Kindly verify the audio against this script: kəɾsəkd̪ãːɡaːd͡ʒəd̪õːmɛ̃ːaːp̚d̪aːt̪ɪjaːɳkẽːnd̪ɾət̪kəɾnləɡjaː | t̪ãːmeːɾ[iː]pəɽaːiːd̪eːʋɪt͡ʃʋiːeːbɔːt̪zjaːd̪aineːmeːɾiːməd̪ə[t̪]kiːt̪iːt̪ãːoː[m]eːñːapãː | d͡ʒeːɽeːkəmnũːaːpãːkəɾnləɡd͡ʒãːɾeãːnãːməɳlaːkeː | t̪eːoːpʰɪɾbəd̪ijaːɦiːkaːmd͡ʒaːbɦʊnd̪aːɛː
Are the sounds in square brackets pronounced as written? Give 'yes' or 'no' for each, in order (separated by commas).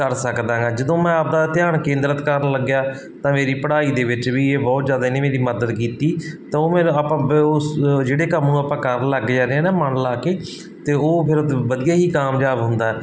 yes, no, yes